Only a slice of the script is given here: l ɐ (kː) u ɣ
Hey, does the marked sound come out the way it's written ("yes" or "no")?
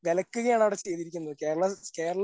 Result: yes